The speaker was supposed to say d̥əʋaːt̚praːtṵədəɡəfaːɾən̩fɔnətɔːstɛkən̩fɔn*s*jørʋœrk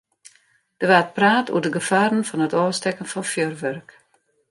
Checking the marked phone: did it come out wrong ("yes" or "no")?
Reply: yes